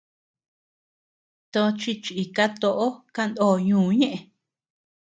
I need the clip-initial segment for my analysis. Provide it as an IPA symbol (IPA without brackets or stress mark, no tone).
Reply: t̪